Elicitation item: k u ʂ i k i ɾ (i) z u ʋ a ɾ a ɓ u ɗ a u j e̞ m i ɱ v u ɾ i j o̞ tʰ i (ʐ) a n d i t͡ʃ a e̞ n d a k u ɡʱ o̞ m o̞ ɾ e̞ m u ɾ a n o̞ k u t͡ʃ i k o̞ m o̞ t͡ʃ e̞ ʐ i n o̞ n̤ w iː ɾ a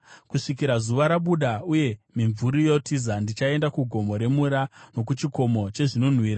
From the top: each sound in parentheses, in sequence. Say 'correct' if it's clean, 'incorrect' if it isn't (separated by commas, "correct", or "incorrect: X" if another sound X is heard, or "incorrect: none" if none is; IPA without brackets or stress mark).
incorrect: a, incorrect: z